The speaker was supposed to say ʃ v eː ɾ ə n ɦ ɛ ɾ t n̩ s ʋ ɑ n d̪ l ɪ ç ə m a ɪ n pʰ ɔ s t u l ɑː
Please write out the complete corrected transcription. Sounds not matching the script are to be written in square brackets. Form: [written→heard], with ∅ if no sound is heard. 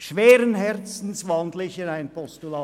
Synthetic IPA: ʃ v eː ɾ ə n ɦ ɛ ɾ [t→t͡s] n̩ s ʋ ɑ n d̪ l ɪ ç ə [m→n] a ɪ n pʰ ɔ s t u l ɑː